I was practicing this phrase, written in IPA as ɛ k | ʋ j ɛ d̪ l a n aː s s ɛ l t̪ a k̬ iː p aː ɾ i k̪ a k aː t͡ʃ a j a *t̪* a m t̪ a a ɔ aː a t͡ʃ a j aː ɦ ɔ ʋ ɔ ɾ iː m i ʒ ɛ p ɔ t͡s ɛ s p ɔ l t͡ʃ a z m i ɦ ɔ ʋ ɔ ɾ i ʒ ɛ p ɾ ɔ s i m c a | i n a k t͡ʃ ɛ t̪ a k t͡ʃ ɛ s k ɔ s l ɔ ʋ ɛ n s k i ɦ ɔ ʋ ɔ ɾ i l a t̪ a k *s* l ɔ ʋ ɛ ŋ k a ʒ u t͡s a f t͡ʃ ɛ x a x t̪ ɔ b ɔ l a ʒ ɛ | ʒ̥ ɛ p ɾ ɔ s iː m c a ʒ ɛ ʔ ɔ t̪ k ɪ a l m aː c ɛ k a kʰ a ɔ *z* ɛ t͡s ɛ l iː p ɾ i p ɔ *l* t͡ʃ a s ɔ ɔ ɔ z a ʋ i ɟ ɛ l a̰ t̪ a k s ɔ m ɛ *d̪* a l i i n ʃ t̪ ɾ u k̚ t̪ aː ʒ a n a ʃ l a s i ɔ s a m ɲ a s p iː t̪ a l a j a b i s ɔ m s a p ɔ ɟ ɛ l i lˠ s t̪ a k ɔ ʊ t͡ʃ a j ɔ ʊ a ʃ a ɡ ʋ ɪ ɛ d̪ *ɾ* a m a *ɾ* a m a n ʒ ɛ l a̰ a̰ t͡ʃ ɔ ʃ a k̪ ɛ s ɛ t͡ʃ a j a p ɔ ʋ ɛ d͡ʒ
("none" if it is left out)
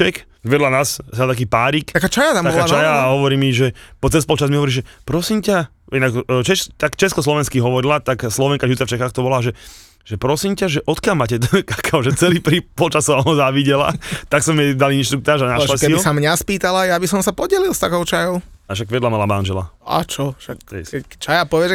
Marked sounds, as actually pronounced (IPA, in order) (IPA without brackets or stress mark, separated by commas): t̪, s, ʒ, l, d̪, l, l